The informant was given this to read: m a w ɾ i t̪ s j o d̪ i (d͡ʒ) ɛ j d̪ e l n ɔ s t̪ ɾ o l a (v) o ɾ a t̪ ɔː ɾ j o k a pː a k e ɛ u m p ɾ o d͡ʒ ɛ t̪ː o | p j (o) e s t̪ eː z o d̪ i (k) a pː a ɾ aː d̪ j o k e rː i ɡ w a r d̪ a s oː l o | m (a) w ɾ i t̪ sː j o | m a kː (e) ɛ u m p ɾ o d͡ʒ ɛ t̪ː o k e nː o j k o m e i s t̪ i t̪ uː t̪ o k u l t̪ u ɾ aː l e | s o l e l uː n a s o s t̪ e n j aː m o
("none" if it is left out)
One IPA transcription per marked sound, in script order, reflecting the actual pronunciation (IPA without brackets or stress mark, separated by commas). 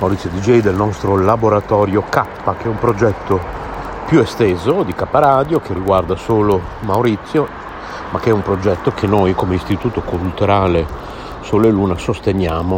d͡ʒ, b, u, k, a, e